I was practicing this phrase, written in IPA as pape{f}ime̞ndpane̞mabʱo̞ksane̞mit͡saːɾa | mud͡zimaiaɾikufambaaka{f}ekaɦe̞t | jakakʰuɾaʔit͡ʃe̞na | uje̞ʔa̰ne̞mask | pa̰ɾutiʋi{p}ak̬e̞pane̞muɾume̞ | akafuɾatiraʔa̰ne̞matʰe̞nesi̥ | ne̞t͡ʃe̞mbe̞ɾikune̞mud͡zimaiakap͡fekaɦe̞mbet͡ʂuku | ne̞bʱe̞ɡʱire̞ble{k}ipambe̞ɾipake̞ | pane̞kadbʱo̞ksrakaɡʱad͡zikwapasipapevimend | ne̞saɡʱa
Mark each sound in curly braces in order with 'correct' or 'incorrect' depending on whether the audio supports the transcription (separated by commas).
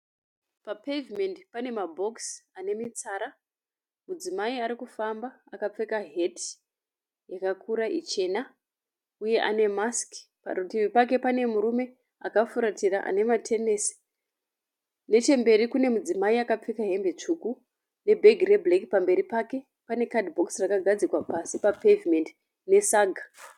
incorrect, incorrect, correct, correct